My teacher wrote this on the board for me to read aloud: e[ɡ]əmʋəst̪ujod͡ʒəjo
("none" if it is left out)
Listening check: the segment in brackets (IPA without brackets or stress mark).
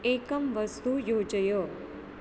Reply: k